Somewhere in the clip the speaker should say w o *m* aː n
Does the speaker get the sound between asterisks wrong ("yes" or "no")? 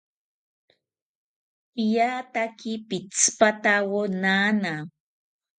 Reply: yes